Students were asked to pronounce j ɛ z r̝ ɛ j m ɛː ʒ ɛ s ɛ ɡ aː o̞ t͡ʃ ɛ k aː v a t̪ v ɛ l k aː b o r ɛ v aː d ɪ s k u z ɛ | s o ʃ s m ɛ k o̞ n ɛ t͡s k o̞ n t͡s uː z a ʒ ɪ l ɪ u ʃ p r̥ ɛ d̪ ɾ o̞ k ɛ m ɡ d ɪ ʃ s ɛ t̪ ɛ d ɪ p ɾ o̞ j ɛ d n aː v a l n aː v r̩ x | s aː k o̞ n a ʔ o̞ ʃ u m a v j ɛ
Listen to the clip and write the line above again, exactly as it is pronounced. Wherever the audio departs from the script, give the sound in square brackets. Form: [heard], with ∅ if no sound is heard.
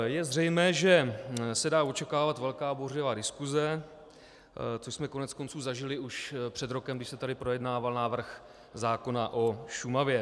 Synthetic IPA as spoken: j ɛ z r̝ ɛ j m ɛː ʒ ɛ s ɛ [d] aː o̞ t͡ʃ ɛ k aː v a t̪ v ɛ l k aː b o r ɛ v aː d ɪ s k u z ɛ | [t͡s] o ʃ s m ɛ k o̞ n ɛ t͡s k o̞ n t͡s uː z a ʒ ɪ l ɪ u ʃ p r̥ ɛ d̪ ɾ o̞ k ɛ m ɡ d ɪ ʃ s ɛ t̪ [a] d ɪ p ɾ o̞ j ɛ d n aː v a l n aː v r̩ x | [z] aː k o̞ n a ʔ o̞ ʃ u m a v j ɛ

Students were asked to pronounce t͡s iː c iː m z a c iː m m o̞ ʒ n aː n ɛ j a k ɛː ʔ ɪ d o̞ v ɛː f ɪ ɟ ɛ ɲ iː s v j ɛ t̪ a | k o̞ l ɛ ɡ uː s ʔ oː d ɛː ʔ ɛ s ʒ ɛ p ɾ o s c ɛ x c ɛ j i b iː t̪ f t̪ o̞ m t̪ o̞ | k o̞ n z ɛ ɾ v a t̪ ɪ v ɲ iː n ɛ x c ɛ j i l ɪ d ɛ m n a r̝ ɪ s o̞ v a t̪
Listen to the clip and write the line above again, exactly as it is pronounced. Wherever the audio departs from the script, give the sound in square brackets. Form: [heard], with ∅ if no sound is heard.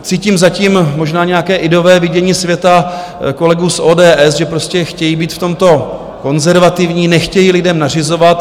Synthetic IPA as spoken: t͡s iː c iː m z a c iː m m o̞ ʒ n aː [ɲ] ɛ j a k ɛː ʔ ɪ d o̞ v ɛː [v] ɪ ɟ ɛ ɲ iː s v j ɛ t̪ a | k o̞ l ɛ ɡ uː s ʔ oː d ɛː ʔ ɛ s ʒ ɛ p ɾ o s c ɛ x c ɛ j i b iː t̪ f t̪ o̞ m t̪ o̞ | k o̞ n z ɛ ɾ v a t̪ ɪ v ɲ iː n ɛ x c ɛ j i l ɪ d ɛ m n a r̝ ɪ [z] o̞ v a t̪

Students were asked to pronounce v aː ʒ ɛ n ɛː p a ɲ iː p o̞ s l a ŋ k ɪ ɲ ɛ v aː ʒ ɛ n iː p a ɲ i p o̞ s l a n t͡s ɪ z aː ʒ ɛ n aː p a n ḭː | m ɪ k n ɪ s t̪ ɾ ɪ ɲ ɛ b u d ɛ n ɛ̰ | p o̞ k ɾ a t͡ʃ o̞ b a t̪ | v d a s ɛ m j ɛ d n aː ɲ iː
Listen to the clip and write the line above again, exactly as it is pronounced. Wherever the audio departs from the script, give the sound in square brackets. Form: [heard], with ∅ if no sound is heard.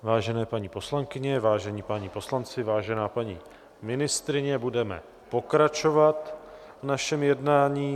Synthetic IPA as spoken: v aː ʒ ɛ n ɛː p a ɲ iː p o̞ s l a ŋ k ɪ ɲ ɛ v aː ʒ ɛ [ɲ] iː p a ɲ i p o̞ s l a n t͡s ɪ [v] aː ʒ ɛ n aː p a [ɲ] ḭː | m ɪ [∅] n ɪ s t̪ ɾ ɪ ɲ ɛ b u d ɛ [m] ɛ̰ | p o̞ k ɾ a t͡ʃ o̞ [v] a t̪ | v [n] a [ʃ] ɛ m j ɛ d n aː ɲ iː

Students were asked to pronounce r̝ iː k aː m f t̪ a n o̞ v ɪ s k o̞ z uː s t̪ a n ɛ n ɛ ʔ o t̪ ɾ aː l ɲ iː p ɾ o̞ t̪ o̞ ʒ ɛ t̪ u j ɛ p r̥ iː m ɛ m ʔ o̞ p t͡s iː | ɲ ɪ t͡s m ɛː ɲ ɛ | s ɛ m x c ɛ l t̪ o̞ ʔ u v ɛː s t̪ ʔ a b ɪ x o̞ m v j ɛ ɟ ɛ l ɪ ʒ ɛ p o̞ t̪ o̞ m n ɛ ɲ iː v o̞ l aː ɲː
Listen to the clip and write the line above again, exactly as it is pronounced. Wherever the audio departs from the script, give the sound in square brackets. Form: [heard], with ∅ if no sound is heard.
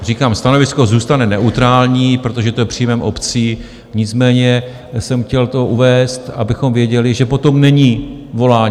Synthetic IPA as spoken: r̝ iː k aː m [s] t̪ a n o̞ v ɪ s k o̞ z uː s t̪ a n ɛ n ɛ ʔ [u] t̪ ɾ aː l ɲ iː p ɾ o̞ t̪ o̞ ʒ ɛ t̪ [o] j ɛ p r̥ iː m ɛ m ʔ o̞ p t͡s iː | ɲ ɪ t͡s m ɛː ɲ ɛ | s ɛ m x c ɛ l t̪ o̞ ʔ u v ɛː s t̪ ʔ a b ɪ x o̞ m v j ɛ ɟ ɛ l ɪ ʒ ɛ p o̞ t̪ o̞ m n ɛ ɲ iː v o̞ l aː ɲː

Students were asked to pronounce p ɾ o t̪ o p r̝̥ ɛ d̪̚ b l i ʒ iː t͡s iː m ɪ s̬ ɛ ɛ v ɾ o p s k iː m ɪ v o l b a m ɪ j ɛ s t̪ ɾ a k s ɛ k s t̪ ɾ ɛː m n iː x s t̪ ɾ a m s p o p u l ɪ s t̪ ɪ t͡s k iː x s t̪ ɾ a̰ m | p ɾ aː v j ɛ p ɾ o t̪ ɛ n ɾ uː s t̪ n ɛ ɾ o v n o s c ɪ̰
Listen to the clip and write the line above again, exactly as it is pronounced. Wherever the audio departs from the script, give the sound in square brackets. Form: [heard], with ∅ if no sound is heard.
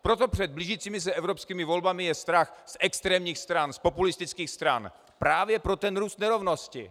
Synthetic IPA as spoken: p ɾ o t̪ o p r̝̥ ɛ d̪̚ b l i ʒ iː t͡s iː m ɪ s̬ ɛ ɛ v ɾ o p s k iː m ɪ v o l b a m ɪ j ɛ s t̪ ɾ a [x] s ɛ k s t̪ ɾ ɛː m [ɲ] iː x s t̪ ɾ a [n] s p o p u l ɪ s t̪ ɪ t͡s k iː x s t̪ ɾ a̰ [n] | p ɾ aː v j ɛ p ɾ o t̪ ɛ n ɾ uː s t̪ n ɛ ɾ o v n o s c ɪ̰

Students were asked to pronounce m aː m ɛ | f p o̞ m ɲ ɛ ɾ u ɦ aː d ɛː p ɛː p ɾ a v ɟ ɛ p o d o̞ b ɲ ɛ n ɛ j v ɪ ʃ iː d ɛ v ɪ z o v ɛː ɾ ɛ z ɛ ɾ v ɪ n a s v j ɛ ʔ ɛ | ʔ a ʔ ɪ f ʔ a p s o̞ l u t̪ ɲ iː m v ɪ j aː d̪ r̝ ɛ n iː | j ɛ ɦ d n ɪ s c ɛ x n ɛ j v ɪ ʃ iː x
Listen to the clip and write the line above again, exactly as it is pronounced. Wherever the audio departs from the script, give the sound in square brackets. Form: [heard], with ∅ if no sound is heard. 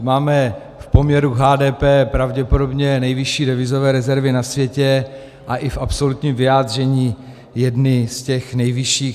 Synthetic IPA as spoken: m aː m ɛ | f p o̞ m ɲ ɛ ɾ u ɦ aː d ɛː p ɛː p ɾ a v ɟ ɛ p o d o̞ b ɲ ɛ n ɛ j v ɪ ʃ iː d ɛ v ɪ z o v ɛː ɾ ɛ z ɛ ɾ v ɪ n a s v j ɛ [c] ɛ | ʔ a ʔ ɪ f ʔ a p s o̞ l u t̪ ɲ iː m v ɪ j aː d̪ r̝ ɛ [ɲ] iː | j ɛ [∅] d n ɪ s c ɛ x n ɛ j v ɪ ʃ iː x

